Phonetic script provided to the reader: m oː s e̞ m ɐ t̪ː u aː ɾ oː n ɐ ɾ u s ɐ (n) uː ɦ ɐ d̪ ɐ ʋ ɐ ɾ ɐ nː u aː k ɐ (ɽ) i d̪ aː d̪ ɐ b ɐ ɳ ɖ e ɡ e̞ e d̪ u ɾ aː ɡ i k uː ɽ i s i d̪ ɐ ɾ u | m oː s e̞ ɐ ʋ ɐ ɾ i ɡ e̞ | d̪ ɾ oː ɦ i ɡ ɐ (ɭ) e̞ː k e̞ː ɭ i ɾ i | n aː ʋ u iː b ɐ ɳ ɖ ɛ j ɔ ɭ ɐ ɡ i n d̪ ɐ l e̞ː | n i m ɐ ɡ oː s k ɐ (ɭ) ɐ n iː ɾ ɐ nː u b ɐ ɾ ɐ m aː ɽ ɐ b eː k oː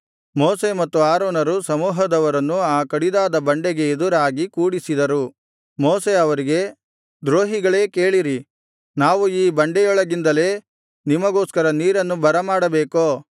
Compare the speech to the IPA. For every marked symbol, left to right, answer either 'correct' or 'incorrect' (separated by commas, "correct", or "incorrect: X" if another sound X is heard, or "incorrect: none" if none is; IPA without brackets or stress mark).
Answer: incorrect: m, correct, correct, incorrect: ɾ